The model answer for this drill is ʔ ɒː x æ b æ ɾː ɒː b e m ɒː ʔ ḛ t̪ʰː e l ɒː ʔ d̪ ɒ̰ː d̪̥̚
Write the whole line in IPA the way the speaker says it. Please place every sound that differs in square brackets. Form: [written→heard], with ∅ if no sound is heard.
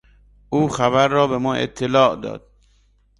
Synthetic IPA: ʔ [ɒː→uː] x æ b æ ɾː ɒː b e m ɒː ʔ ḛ t̪ʰː e l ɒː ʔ d̪ ɒ̰ː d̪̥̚